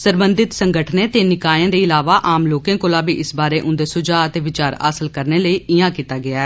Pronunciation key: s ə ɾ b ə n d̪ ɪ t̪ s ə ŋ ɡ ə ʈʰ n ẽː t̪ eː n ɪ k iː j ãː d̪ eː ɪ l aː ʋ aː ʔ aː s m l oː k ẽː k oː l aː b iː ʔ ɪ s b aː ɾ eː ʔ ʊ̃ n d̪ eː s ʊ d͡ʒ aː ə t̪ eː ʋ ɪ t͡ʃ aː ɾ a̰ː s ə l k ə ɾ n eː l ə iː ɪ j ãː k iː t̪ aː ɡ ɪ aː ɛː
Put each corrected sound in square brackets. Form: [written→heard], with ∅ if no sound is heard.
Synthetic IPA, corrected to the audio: s ə ɾ b ə n d̪ ɪ t̪ s ə ŋ ɡ ə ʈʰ n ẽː t̪ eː n ɪ k [iː→aː] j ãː d̪ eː ɪ l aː ʋ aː ʔ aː [s→∅] m l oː k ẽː k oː l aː b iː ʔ ɪ s b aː ɾ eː ʔ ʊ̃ n d̪ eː s ʊ d͡ʒ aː ə t̪ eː ʋ ɪ t͡ʃ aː ɾ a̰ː s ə l k ə ɾ n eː l ə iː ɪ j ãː k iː t̪ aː ɡ ɪ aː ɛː

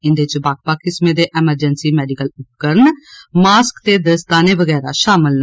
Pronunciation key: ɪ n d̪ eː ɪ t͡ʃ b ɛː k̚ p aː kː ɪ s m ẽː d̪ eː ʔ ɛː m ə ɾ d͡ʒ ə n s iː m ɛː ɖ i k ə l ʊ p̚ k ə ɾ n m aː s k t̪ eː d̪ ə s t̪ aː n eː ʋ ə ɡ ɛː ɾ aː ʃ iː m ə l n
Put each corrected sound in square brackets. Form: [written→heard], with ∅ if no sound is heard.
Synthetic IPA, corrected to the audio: ɪ n d̪ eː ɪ t͡ʃ b [ɛː→aː] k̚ p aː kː ɪ s m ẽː d̪ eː ʔ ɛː m ə ɾ d͡ʒ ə n s iː m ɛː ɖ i k ə l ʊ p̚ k ə ɾ n m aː s k t̪ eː d̪ ə s t̪ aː n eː ʋ ə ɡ ɛː ɾ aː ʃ [iː→aː] m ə l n

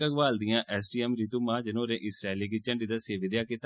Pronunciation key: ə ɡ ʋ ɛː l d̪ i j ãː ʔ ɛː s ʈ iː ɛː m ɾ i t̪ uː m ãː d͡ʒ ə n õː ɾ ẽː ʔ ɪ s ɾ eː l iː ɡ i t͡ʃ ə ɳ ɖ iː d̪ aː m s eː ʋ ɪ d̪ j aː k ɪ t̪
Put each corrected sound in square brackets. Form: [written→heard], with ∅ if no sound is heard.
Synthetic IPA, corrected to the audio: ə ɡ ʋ [ɛː→aː] l d̪ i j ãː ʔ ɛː s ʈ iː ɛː m ɾ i t̪ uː m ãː d͡ʒ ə n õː ɾ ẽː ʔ ɪ s ɾ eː l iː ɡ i t͡ʃ ə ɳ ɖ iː d̪ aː [m→∅] s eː ʋ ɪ d̪ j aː k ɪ t̪

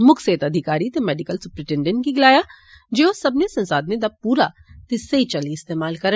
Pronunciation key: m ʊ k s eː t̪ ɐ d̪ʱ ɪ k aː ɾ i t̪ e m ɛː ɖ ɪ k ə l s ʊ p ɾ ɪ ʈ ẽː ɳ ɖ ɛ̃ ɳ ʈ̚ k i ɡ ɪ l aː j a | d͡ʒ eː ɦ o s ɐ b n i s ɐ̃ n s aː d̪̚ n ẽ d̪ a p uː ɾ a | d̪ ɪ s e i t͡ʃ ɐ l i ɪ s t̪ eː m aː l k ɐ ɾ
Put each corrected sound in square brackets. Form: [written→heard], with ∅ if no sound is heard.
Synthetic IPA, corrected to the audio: m ʊ k s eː t̪ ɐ d̪ʱ ɪ k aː ɾ i t̪ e m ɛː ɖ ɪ k ə l s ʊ p ɾ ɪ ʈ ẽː ɳ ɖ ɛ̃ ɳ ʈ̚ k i ɡ ɪ l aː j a | d͡ʒ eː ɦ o s ɐ b n [i→e] s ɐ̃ n s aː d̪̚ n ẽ d̪ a p uː ɾ a | [d̪→t̪] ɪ s e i t͡ʃ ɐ l i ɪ s t̪ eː m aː l k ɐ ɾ

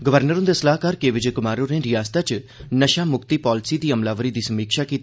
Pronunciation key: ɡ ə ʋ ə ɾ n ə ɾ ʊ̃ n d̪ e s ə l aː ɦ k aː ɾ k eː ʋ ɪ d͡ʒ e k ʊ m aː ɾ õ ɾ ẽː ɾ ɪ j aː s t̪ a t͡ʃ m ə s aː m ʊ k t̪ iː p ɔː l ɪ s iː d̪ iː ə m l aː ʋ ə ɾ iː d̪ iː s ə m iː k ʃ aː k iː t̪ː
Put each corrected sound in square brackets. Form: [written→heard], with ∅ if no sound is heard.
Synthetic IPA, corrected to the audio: ɡ ə ʋ ə ɾ n ə ɾ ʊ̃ n d̪ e s ə l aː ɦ k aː ɾ k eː ʋ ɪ d͡ʒ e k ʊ m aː ɾ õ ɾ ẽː ɾ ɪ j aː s t̪ a t͡ʃ [m→n] ə [s→ʃ] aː m ʊ k t̪ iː p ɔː l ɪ s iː d̪ iː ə m l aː ʋ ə ɾ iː d̪ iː s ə m iː k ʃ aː k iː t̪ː

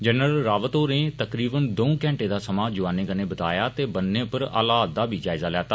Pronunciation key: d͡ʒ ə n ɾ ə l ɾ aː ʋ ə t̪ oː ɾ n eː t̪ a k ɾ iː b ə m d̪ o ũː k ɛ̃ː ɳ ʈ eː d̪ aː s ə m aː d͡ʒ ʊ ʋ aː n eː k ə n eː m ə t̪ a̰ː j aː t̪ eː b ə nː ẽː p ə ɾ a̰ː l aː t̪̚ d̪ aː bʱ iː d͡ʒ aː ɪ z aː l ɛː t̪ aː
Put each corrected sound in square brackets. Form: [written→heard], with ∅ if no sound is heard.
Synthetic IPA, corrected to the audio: d͡ʒ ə n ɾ ə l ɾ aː ʋ ə t̪ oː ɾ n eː t̪ [a→ə] k ɾ iː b ə [m→n] d̪ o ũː k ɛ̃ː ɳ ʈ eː d̪ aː s ə m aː d͡ʒ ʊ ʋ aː n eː k ə n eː [m→b] ə t̪ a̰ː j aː t̪ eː b ə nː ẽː p ə ɾ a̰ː l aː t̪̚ d̪ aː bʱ iː d͡ʒ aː ɪ z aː l ɛː t̪ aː

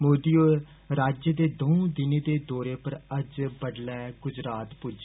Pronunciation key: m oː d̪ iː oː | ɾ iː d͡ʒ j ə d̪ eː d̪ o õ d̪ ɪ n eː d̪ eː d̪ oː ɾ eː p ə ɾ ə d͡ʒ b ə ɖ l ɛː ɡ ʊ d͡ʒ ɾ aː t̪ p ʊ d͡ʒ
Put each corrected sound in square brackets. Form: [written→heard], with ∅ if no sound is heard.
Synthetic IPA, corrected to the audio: m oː d̪ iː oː | ɾ [iː→aː] d͡ʒ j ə d̪ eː d̪ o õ d̪ ɪ n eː d̪ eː d̪ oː ɾ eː p ə ɾ ə d͡ʒ b ə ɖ l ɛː ɡ ʊ d͡ʒ ɾ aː t̪ p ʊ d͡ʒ

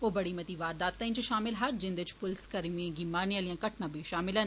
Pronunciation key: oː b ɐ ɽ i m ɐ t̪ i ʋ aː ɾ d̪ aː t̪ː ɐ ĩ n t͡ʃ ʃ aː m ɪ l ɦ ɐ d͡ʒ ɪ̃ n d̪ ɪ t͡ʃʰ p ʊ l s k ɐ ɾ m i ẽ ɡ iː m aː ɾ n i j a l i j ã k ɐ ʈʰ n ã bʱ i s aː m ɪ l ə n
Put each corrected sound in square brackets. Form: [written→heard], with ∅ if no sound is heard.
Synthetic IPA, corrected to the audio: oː b ɐ ɽ i m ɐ t̪ i ʋ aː ɾ d̪ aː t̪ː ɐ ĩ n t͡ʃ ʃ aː m ɪ l ɦ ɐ d͡ʒ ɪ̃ n d̪ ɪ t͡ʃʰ p ʊ l s k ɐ ɾ m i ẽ ɡ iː m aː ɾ n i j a l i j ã k ɐ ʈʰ n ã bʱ i [s→ʃ] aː m ɪ l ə n

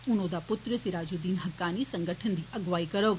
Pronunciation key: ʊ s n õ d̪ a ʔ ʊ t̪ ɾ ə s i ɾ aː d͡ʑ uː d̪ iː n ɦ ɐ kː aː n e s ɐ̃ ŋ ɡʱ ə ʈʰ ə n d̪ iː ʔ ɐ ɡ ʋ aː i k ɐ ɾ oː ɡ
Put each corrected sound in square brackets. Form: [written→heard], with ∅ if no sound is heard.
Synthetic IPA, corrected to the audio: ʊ [s→∅] n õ d̪ a [ʔ→p] ʊ t̪ ɾ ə s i ɾ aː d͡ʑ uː d̪ iː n ɦ ɐ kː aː n [e→i] s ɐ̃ ŋ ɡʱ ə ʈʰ ə n d̪ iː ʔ ɐ ɡ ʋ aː i k ɐ ɾ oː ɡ

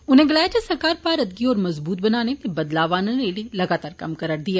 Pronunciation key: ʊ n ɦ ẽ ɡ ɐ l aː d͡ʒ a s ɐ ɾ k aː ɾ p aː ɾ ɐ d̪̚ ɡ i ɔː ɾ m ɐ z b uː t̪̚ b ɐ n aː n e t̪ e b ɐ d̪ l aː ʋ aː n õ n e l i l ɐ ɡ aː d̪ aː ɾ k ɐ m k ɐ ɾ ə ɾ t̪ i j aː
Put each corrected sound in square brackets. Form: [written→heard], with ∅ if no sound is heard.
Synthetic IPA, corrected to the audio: ʊ n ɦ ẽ ɡ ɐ l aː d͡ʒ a s ɐ ɾ k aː ɾ p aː ɾ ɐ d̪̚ ɡ i ɔː ɾ m ɐ z b uː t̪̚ b ɐ n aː n e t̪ e b ɐ d̪ l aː ʋ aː n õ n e l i l ɐ ɡ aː [d̪→t̪] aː ɾ k ɐ m k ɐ ɾ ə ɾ [t̪→d̪] i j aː

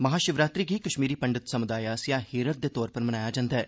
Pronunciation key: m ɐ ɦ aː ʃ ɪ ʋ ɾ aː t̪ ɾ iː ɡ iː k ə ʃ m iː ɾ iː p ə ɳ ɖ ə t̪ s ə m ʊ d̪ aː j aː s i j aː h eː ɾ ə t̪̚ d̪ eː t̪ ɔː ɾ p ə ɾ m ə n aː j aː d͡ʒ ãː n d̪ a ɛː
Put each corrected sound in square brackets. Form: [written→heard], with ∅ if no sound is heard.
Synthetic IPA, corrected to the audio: m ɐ ɦ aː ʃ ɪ ʋ ɾ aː t̪ ɾ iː ɡ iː k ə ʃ m iː ɾ iː p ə ɳ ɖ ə t̪ s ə m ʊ d̪ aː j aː s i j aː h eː ɾ ə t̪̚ d̪ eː t̪ ɔː ɾ p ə ɾ m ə n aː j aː d͡ʒ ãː n d̪ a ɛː

